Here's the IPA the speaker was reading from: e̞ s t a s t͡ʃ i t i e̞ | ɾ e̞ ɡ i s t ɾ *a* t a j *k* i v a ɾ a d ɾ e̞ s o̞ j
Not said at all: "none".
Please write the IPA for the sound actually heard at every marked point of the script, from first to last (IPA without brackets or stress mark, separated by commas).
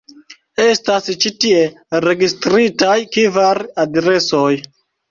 i, k